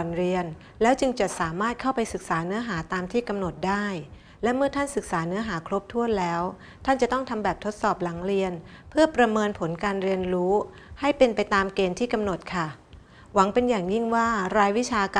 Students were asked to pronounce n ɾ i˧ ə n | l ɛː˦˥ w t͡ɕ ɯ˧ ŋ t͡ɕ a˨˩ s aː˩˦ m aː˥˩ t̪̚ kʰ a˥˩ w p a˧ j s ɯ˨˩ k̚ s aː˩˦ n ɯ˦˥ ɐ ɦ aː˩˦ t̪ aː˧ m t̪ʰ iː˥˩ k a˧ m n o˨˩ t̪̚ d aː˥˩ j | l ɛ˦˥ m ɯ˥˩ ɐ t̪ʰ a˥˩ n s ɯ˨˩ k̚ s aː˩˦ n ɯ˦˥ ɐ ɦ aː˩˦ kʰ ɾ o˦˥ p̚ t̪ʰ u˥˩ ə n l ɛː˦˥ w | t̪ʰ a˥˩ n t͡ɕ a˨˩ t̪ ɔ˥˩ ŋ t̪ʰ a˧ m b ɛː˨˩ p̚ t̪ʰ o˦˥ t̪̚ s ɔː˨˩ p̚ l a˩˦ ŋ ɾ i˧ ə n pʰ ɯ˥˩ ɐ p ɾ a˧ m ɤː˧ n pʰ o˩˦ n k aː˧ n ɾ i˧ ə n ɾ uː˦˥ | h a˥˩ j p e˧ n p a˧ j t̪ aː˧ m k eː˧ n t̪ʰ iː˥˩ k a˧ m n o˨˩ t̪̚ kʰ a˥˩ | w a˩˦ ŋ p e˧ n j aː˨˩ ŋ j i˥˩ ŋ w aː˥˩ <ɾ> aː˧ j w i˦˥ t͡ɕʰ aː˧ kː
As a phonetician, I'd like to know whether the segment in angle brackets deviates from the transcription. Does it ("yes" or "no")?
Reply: no